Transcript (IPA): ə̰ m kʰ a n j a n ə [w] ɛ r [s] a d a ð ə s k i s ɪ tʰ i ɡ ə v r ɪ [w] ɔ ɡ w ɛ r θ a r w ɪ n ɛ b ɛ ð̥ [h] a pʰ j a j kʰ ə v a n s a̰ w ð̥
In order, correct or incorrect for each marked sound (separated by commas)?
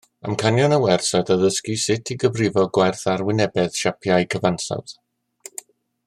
correct, correct, incorrect, incorrect